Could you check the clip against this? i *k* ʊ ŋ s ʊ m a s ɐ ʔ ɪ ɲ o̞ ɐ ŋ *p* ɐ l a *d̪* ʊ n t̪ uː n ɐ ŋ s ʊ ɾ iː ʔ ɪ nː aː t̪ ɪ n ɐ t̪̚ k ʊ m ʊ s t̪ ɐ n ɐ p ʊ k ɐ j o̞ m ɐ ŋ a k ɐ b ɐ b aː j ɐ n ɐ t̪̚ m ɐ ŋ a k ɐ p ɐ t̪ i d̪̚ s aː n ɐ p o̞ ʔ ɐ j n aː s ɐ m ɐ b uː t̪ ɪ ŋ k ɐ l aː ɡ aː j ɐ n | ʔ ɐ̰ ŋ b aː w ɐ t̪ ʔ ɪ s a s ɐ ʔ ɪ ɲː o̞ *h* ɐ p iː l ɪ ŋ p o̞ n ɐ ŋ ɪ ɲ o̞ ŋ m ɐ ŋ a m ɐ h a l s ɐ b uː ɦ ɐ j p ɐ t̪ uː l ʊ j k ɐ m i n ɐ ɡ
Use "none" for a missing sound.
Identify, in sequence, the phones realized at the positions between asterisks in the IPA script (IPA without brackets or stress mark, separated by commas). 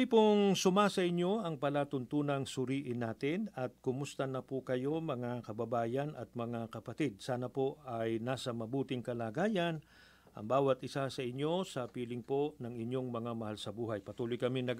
p, p, t̪, s